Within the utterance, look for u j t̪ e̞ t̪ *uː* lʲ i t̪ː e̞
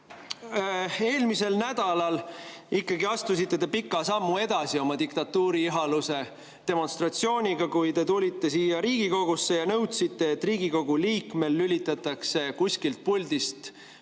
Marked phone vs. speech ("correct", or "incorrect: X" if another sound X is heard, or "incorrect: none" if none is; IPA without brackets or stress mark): incorrect: u